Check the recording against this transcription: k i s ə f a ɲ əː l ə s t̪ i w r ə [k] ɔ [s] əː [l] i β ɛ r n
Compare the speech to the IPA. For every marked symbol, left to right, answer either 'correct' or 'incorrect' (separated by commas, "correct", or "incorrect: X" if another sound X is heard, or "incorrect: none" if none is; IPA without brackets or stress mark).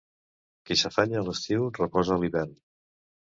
incorrect: p, incorrect: z, correct